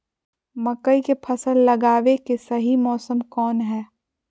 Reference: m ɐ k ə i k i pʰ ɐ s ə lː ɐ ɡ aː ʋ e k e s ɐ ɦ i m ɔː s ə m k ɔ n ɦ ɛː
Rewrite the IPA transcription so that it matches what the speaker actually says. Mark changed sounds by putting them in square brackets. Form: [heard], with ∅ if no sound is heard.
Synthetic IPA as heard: m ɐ k ə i k [e] pʰ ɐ s ə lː ɐ ɡ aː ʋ e k e s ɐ ɦ i m ɔː s ə m k [ɔː] n ɦ ɛː

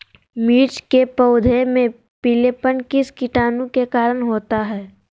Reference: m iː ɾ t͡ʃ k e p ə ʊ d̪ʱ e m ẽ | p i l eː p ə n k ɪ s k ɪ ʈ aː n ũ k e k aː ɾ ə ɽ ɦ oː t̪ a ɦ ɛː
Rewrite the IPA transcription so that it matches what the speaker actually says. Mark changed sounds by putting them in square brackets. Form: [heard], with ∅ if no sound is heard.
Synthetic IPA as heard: m iː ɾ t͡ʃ k e p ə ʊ d̪ʱ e m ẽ | p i l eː p ə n k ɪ s k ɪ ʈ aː n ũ k e k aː ɾ ə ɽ ɦ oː t̪ a ɦ ɛː

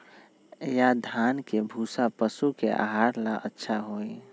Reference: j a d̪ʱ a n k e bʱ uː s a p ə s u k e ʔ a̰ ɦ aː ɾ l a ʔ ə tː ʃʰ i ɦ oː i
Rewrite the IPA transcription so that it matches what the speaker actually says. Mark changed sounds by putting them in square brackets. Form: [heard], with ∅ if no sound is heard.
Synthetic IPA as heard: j a d̪ʱ a n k e bʱ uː s a p ə s u k e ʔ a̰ ɦ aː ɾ l a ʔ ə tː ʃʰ [a] ɦ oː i

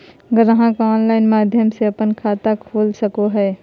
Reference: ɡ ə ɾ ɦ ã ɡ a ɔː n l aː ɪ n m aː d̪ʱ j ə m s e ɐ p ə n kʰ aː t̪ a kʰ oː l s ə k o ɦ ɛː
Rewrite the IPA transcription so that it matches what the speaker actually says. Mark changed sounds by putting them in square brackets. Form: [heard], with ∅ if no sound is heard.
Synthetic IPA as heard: ɡ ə ɾ ɦ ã [k] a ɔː n l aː ɪ n m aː d̪ʱ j ə m s e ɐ p ə n kʰ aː t̪ a kʰ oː l s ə k o ɦ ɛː

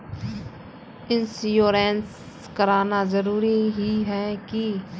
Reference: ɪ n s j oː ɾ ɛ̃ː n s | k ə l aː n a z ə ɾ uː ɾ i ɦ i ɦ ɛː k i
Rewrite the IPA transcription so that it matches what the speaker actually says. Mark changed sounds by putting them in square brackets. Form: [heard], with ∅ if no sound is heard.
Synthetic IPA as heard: ɪ n s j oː ɾ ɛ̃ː n s | k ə [ɾ] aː n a z ə ɾ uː ɾ i ɦ i ɦ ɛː k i

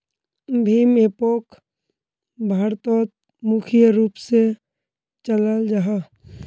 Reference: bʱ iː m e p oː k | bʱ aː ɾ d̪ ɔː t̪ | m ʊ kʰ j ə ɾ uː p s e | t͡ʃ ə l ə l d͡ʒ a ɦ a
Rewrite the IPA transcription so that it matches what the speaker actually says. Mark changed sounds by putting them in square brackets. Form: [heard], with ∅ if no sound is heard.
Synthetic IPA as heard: bʱ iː m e p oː k | bʱ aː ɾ [t̪] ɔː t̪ | m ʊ kʰ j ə ɾ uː p s e | t͡ʃ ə l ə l d͡ʒ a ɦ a

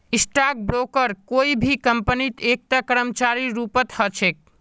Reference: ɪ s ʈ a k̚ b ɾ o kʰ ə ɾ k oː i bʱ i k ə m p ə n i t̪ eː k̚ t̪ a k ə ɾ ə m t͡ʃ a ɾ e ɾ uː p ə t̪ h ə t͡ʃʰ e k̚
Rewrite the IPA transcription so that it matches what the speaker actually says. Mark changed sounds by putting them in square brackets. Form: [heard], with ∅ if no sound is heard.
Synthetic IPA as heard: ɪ s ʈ a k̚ b ɾ o [k] ə ɾ k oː i bʱ i k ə m p ə n i t̪ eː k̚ t̪ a k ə ɾ ə m t͡ʃ a ɾ [i] ɾ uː p ə t̪ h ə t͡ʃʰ e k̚

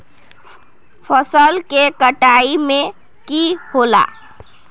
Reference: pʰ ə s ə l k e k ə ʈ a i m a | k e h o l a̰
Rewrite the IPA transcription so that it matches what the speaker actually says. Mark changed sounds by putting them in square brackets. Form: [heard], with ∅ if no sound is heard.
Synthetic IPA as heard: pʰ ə s ə l k e k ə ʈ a i m [e] | k [i] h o l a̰

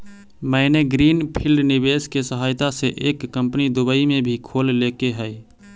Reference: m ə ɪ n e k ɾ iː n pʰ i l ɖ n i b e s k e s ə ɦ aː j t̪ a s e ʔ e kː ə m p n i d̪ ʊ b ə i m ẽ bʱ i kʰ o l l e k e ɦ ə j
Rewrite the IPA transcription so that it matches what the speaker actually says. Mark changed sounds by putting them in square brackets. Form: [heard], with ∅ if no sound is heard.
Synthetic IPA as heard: m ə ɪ n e [ɡ] ɾ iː n pʰ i l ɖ n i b e s k e s ə ɦ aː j t̪ a s e ʔ e kː ə m p n i d̪ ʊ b ə i m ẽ bʱ i kʰ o l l e k e ɦ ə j

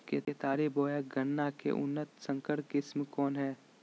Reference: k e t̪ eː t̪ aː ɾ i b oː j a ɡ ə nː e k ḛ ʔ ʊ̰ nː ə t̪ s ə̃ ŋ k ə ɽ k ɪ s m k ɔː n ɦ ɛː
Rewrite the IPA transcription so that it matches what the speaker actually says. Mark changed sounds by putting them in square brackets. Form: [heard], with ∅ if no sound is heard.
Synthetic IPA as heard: k e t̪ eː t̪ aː ɾ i b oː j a ɡ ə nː [a] k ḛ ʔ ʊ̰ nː ə t̪ s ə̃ ŋ k ə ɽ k ɪ s m k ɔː n ɦ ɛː

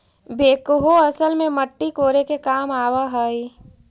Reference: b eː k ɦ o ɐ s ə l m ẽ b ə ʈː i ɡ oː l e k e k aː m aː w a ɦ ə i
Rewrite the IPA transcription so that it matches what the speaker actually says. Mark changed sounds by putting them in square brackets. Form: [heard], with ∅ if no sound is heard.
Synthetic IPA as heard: b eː k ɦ o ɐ s ə l m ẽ [m] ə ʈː i [k] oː [ɾ] e k e k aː m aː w a ɦ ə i

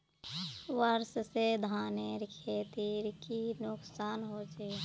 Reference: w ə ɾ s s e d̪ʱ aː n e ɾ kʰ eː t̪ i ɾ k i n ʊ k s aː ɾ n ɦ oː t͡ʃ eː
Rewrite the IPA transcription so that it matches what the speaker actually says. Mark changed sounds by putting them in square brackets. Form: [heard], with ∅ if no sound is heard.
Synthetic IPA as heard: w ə ɾ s s e d̪ʱ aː n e ɾ kʰ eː t̪ i ɾ k i n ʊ k s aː [∅] n ɦ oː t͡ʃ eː

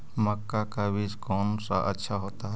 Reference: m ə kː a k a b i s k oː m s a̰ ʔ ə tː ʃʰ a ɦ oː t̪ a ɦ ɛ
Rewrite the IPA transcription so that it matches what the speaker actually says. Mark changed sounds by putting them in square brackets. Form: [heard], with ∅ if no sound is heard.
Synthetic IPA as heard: m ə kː a k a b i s k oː [n] s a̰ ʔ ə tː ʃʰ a ɦ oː t̪ a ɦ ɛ

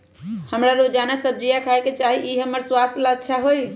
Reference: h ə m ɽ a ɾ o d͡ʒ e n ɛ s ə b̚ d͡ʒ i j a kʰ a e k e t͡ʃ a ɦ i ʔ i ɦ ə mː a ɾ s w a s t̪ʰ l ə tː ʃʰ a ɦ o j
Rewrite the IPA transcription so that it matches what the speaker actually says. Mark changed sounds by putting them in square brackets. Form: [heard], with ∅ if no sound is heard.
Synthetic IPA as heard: h ə m [ɾ] a ɾ o d͡ʒ [a] n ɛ s ə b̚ d͡ʒ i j a kʰ a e k e t͡ʃ a ɦ i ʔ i ɦ ə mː [ə] ɾ s w a s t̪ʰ l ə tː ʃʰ a ɦ o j

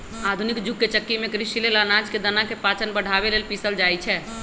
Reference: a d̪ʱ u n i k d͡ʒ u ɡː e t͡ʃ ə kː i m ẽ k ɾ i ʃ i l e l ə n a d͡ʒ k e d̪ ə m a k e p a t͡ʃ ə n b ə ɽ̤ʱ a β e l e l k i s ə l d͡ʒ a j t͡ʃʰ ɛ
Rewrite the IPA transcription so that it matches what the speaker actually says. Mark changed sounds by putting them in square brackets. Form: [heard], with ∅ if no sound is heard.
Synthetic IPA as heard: a d̪ʱ u n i k d͡ʒ u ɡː e t͡ʃ ə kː i m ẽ k ɾ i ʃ i l e l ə n a d͡ʒ k e d̪ ə [n] a k e p a t͡ʃ ə n b ə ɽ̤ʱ a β e l e l [p] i s ə l d͡ʒ a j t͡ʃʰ ɛ

